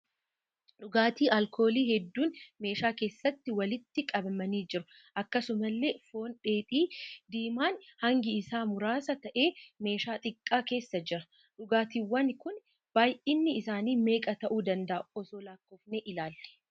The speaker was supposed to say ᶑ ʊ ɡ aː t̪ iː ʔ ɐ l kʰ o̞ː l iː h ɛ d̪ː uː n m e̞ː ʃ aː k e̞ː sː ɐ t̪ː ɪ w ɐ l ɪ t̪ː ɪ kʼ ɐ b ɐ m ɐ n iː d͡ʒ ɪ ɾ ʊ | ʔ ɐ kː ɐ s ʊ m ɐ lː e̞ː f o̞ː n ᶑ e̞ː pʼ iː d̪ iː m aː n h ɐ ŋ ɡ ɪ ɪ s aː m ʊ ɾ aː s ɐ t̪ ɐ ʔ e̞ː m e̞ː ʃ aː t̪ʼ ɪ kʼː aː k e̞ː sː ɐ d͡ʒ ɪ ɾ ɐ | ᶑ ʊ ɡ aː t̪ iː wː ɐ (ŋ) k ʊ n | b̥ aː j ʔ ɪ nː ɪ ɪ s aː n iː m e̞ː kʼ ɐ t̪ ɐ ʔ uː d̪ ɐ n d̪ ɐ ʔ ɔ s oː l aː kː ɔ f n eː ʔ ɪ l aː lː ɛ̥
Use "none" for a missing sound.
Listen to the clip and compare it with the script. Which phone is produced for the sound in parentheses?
n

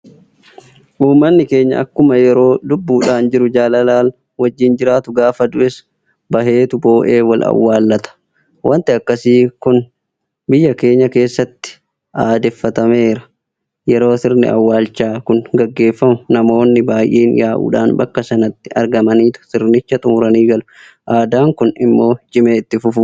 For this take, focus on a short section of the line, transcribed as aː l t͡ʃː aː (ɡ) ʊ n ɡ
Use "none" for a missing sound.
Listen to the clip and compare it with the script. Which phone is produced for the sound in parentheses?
k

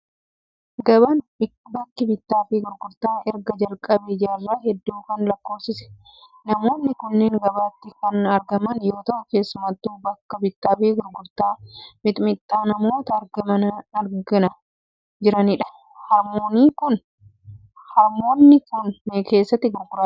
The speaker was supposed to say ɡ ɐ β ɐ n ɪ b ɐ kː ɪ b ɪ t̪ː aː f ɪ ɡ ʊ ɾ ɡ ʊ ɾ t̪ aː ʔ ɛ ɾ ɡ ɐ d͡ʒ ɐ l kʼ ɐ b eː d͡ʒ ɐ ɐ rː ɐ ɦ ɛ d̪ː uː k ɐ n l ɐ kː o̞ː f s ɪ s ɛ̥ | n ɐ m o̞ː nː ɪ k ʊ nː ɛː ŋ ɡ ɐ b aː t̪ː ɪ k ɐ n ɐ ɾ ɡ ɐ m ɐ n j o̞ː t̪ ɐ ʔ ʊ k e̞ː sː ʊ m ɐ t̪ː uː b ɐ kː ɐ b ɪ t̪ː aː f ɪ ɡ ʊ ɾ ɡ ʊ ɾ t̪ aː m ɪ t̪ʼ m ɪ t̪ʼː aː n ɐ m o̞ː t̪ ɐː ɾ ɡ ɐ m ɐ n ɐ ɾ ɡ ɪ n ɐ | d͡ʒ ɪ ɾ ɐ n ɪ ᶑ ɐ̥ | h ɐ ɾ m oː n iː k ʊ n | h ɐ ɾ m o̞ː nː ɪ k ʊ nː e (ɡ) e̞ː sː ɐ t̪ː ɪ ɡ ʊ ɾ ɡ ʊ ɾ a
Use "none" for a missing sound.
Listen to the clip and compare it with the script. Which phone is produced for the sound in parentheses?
k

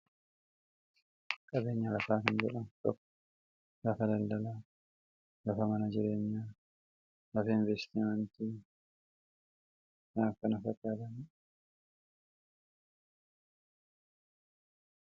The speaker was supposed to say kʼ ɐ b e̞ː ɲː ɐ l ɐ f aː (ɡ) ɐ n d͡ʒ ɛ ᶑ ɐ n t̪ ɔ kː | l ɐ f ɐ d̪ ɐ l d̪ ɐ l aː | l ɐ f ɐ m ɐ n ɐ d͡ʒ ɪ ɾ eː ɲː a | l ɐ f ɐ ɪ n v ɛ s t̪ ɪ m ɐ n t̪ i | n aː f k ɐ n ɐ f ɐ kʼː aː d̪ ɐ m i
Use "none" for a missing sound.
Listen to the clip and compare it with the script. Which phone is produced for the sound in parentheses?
k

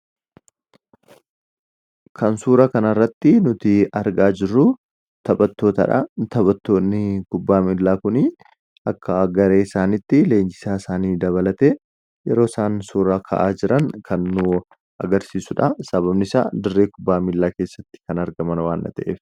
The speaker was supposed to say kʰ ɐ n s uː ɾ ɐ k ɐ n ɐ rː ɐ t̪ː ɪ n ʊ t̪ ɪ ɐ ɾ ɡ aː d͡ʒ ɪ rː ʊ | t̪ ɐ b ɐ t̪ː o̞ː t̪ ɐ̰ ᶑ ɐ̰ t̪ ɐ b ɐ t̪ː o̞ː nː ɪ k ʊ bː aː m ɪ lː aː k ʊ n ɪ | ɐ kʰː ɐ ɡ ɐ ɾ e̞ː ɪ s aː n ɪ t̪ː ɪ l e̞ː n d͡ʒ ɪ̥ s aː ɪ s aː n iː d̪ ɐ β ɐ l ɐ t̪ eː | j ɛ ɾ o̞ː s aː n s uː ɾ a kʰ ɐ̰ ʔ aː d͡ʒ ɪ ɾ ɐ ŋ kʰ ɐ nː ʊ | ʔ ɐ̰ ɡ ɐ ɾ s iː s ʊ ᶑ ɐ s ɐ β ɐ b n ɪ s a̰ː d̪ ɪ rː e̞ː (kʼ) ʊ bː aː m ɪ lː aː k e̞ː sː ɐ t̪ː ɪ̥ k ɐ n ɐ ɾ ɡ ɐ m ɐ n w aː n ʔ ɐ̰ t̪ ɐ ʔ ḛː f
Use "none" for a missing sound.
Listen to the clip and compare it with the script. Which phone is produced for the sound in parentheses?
k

